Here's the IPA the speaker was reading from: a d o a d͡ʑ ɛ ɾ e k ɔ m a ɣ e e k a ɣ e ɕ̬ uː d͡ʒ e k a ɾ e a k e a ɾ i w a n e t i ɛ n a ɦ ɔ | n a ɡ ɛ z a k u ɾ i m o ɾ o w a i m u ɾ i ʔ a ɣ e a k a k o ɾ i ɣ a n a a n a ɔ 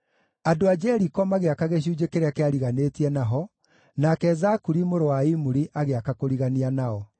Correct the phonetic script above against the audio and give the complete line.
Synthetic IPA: a d o a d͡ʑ ɛ ɾ i k ɔ m a ɣ e a k a ɣ e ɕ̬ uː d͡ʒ e k e ɾ e a k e a ɾ i ɣ a n e t i ɛ n a ɦ ɔ | n a k ɛ z a k u ɾ i m o ɾ o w a i m u ɾ i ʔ a ɣ e a k a k o ɾ i ɣ a n i a n a ɔ